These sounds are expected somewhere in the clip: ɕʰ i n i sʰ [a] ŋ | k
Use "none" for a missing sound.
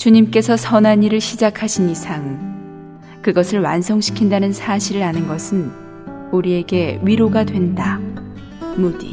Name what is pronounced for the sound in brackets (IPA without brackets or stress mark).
a